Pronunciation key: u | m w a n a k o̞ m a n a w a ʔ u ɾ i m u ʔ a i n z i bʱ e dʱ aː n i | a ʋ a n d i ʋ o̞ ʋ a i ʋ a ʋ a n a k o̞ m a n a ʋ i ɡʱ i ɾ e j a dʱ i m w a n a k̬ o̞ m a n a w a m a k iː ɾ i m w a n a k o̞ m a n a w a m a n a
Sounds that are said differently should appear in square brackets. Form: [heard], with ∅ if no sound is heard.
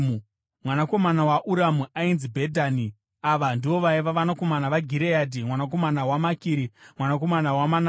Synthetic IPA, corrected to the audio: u | m w a n a k o̞ m a n a w a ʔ u ɾ [a] m u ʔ a i n z i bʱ e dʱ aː n i | a ʋ a n d i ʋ o̞ ʋ a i ʋ a ʋ a n a k o̞ m a n a ʋ [a] ɡʱ i ɾ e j a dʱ i m w a n a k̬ o̞ m a n a w a m a k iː ɾ i m w a n a k o̞ m a n a w a m a n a